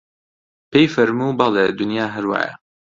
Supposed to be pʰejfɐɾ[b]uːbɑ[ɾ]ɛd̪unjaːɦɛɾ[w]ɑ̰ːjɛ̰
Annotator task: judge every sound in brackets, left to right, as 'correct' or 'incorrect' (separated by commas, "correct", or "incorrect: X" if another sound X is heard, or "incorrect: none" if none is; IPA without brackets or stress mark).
incorrect: m, incorrect: l, correct